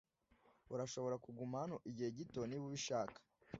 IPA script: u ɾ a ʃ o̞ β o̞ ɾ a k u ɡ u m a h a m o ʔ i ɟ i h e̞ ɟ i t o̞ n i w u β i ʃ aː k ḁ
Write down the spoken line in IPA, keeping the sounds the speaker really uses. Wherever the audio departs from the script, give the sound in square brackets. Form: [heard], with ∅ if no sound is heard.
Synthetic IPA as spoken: u ɾ a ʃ o̞ β o̞ ɾ a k u ɡ u m a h a [n] o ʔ i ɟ i h e̞ ɟ i t o̞ n i [β] u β i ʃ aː k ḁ